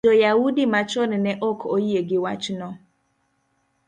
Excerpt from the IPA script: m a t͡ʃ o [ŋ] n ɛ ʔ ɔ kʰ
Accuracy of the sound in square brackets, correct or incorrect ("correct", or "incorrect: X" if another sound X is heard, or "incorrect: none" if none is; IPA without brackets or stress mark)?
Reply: incorrect: n